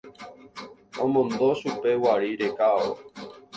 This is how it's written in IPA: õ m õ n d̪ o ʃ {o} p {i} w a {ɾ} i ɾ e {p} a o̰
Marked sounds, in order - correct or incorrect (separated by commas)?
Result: incorrect, incorrect, correct, incorrect